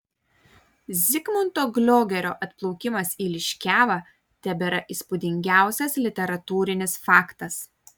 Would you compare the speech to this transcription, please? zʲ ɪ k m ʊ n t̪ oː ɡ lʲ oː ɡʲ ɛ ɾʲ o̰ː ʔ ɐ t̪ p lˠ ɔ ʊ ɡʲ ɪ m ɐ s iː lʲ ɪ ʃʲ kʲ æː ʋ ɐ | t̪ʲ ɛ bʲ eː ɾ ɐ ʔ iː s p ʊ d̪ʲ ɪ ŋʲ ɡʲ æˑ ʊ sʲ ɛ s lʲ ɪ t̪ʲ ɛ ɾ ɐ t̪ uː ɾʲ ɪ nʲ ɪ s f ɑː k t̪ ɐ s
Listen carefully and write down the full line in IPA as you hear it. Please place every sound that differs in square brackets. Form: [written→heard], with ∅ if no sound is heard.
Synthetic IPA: zʲ ɪ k m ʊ n t̪ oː ɡ lʲ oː ɡʲ ɛ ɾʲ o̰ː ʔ ɐ t̪ p lˠ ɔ ʊ [ɡʲ→kʲ] ɪ m ɐ s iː lʲ ɪ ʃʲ kʲ æː ʋ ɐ | t̪ʲ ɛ bʲ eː ɾ ɐ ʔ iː s p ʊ d̪ʲ ɪ ŋʲ ɡʲ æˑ ʊ sʲ ɛ s lʲ ɪ t̪ʲ ɛ ɾ ɐ t̪ uː ɾʲ ɪ nʲ ɪ s f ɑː k t̪ ɐ s